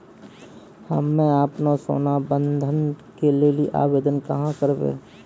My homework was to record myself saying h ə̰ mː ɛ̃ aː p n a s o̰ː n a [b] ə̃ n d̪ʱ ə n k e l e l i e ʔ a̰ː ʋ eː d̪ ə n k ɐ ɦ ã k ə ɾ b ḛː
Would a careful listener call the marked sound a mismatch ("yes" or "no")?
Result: no